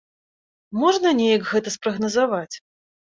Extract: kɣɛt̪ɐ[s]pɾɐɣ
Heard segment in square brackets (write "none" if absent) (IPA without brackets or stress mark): s